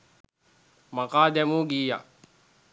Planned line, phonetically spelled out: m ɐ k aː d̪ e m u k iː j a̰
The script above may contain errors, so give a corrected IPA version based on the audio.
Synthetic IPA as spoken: m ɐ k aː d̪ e m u ɡ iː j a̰